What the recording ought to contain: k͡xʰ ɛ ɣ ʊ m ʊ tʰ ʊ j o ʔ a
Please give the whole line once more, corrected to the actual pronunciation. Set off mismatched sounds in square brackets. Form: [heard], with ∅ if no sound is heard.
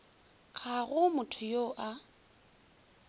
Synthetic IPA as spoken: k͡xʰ [a] ɣ ʊ m ʊ tʰ ʊ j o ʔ a